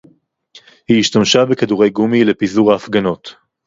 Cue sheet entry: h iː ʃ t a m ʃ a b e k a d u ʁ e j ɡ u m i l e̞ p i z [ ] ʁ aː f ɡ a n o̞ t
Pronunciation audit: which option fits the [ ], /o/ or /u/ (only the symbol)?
u